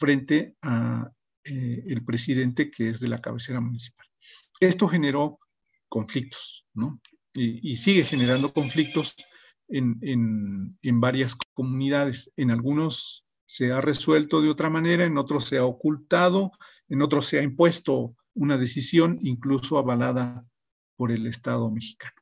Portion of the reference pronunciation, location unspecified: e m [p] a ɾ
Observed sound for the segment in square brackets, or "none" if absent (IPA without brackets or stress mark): b